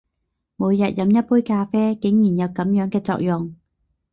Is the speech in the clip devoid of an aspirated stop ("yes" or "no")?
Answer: yes